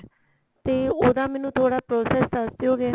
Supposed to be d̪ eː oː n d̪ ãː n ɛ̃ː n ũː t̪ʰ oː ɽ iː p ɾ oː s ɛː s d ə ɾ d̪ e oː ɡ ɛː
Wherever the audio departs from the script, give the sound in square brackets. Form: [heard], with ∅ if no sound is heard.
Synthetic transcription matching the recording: [t̪] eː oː [∅] d̪ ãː [m] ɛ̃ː n ũː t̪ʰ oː ɽ [aː] p ɾ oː s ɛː s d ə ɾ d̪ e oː ɡ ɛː